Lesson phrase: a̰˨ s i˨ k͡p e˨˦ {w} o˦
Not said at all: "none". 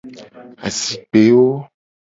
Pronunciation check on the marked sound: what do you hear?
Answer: w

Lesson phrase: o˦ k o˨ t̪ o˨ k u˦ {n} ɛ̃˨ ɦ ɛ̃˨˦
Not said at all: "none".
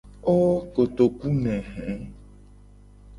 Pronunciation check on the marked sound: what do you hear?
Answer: n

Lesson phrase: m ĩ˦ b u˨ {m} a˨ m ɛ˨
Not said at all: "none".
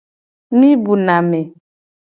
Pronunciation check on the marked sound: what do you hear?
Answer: n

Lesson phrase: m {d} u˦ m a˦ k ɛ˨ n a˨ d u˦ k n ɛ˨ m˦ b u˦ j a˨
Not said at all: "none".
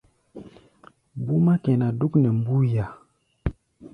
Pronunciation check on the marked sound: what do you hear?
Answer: b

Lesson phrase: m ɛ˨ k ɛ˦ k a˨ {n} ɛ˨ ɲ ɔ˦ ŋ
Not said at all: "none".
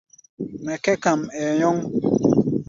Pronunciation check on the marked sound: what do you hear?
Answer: m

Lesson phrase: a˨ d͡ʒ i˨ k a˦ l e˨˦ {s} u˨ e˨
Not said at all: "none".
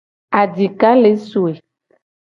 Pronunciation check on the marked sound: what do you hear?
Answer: s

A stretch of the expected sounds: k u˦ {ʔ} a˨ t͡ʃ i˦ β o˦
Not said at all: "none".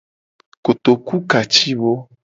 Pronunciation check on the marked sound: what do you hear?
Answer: k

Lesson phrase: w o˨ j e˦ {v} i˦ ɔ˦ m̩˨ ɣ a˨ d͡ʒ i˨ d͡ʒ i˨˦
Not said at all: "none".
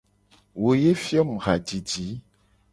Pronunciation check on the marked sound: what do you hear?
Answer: f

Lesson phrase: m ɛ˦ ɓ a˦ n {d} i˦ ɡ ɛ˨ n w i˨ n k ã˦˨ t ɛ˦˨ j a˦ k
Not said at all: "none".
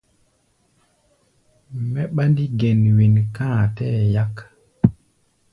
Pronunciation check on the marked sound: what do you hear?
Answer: d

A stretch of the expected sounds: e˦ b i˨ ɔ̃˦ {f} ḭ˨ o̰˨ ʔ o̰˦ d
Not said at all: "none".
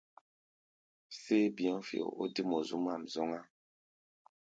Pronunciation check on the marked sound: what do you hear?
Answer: f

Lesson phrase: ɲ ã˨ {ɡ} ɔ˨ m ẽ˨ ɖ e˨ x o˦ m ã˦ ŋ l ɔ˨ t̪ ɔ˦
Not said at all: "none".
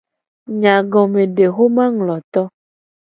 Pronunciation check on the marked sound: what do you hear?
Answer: ɡ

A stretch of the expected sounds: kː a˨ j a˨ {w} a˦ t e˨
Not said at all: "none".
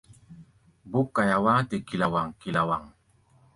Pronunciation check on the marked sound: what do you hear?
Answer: w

